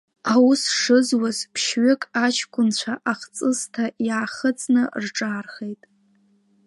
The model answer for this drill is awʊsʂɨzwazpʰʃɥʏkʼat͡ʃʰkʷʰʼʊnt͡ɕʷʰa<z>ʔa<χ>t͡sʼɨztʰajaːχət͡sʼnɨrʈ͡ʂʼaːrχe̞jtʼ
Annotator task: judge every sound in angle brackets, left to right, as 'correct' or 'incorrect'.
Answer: incorrect, correct

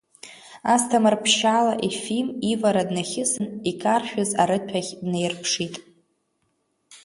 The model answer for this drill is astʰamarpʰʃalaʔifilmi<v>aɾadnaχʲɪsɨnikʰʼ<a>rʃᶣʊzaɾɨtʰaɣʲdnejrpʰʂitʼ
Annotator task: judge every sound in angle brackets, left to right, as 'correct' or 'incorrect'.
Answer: correct, correct

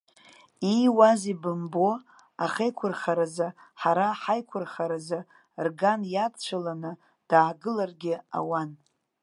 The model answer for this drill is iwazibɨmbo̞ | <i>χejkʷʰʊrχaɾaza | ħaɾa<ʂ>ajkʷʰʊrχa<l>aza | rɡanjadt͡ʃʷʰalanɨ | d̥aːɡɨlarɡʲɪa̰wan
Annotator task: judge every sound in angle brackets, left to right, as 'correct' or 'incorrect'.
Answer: incorrect, incorrect, incorrect

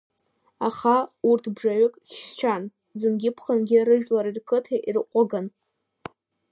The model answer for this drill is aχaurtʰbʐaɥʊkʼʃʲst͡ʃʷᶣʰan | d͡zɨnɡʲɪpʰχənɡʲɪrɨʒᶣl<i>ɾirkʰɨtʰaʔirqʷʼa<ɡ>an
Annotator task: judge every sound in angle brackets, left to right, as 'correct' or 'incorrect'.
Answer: incorrect, correct

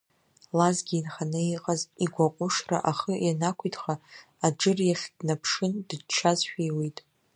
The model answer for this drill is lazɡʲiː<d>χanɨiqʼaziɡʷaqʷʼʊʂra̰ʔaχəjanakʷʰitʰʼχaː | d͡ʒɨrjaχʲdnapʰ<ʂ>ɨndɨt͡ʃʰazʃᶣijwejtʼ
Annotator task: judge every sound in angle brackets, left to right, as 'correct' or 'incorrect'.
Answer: incorrect, correct

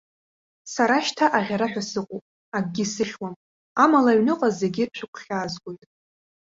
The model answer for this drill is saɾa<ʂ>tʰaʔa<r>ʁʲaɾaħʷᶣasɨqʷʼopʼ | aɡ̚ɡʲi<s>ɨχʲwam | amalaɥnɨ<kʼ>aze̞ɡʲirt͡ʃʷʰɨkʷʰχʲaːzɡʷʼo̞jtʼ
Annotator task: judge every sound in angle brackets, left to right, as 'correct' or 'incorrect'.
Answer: incorrect, incorrect, correct, incorrect

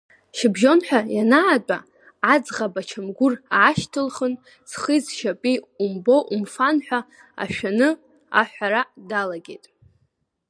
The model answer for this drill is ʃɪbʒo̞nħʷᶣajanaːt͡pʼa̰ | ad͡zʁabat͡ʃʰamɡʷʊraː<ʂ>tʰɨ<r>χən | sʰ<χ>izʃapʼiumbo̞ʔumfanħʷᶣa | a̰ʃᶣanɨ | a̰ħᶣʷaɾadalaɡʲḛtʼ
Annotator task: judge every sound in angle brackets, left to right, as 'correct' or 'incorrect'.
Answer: incorrect, incorrect, correct

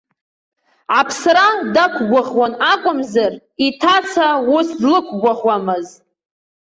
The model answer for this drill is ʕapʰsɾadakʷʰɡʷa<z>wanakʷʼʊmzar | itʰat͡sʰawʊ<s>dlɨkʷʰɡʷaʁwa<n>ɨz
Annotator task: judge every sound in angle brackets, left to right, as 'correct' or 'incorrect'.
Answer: incorrect, correct, incorrect

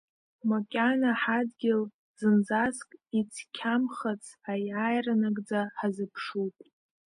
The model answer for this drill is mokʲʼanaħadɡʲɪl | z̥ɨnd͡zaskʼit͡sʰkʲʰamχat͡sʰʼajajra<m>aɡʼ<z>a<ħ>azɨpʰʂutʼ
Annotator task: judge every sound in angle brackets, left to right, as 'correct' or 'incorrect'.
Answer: incorrect, incorrect, correct

